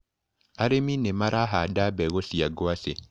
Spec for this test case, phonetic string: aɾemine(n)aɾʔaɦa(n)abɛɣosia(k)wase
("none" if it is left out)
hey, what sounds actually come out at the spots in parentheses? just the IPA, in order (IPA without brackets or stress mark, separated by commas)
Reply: m, d, ɡ